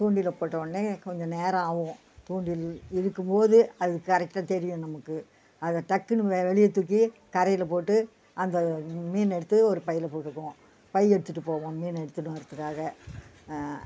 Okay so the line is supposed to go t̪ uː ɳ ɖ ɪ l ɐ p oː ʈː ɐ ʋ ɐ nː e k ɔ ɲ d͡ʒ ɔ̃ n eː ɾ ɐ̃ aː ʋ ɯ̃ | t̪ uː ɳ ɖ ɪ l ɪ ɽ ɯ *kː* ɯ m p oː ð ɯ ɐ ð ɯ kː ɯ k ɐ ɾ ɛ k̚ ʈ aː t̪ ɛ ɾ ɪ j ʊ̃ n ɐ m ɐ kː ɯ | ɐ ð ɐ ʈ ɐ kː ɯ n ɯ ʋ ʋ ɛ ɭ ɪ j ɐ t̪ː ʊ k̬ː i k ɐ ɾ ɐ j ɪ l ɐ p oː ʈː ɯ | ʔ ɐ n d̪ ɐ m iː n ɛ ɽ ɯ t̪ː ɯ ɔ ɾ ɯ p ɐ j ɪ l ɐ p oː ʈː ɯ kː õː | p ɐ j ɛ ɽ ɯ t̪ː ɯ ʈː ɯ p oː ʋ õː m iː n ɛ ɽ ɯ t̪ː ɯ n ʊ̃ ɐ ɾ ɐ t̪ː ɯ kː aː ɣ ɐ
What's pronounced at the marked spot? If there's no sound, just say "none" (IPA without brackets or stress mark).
kː